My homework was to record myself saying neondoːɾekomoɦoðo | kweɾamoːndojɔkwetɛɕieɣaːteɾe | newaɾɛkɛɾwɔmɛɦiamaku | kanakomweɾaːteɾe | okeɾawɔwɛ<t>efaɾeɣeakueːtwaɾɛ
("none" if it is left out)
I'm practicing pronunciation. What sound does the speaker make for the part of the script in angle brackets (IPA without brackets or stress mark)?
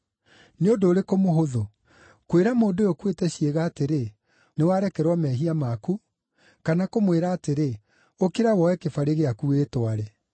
k